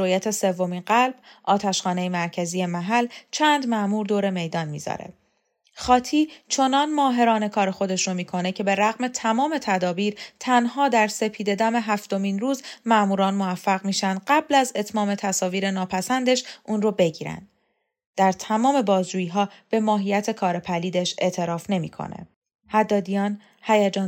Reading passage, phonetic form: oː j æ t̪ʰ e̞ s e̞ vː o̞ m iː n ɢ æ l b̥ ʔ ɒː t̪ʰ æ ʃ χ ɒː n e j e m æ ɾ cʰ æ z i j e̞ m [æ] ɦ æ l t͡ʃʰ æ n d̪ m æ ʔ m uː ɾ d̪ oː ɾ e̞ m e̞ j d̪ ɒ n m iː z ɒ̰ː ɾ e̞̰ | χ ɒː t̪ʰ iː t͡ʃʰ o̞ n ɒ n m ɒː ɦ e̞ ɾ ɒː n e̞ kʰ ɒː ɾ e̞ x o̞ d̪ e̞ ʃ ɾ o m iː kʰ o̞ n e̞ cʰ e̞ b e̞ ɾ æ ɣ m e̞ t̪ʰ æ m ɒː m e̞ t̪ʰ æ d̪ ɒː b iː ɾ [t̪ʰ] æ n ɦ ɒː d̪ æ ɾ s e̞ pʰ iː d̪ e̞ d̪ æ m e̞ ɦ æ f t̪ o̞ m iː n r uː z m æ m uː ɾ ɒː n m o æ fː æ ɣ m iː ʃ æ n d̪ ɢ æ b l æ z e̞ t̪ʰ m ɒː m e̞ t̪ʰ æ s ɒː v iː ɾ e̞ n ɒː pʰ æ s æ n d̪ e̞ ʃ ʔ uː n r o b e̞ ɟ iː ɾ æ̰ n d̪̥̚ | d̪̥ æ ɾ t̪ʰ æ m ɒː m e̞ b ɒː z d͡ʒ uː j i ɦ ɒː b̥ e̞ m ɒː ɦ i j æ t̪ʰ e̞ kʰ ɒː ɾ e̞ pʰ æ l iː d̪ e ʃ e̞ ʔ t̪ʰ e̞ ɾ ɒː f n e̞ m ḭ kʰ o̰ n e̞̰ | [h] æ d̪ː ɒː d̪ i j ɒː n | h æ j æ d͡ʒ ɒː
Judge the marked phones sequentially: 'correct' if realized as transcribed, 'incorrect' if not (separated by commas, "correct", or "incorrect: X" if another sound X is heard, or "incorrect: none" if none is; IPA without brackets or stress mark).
correct, correct, correct